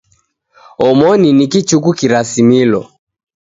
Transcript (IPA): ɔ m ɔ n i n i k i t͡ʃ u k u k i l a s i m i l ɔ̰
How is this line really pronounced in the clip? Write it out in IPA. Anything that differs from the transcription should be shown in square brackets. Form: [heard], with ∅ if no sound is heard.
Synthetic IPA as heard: ɔ m ɔ n i n i k i t͡ʃ u k u k i [ɾ] a s i m i l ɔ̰